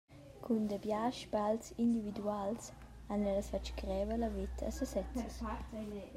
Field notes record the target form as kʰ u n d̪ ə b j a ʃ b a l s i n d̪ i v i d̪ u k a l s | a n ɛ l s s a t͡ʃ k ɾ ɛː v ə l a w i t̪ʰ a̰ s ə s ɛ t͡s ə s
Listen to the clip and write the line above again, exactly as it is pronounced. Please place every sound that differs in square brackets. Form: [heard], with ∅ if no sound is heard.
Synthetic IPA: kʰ u n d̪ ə b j a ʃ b a l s i n d̪ i v i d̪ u [∅] a l s | a n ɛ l s [f] a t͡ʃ k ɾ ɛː v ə l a [v] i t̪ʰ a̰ s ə s ɛ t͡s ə s